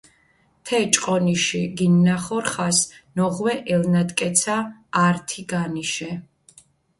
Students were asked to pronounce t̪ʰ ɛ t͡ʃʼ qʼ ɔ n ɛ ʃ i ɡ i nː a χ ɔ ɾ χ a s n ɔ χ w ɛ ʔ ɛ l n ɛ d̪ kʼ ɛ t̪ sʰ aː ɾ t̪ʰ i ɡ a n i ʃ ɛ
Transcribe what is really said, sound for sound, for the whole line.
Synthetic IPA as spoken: t̪ʰ ɛ t͡ʃʼ qʼ ɔ n i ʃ i ɡ i nː a χ ɔ ɾ χ a s n ɔ ʁ w ɛ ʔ ɛ l n a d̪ kʼ ɛ t̪ sʰ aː ɾ t̪ʰ i ɡ a n i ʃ ɛ